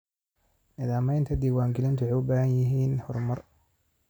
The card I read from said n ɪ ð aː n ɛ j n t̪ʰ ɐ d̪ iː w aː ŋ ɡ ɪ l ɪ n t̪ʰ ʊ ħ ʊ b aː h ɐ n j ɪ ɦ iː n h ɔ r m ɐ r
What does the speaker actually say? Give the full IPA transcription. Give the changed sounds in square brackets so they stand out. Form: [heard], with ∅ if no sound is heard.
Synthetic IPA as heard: n ɪ ð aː [m] ɛ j n t̪ʰ ɐ d̪ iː w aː ŋ ɡ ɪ l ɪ n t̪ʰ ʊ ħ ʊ b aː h ɐ n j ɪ ɦ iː n h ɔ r m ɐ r